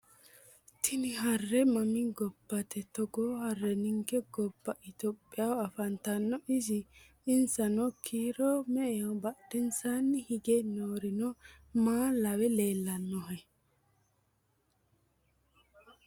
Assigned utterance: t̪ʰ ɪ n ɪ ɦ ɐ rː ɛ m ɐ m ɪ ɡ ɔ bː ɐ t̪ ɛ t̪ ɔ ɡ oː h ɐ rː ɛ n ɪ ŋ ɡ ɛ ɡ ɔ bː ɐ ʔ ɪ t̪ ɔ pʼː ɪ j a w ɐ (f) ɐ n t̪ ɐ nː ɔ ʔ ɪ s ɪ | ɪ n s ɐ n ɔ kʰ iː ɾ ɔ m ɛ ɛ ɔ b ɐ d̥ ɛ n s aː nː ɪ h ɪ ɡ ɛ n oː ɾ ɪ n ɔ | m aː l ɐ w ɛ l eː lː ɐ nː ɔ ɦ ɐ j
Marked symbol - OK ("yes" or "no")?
yes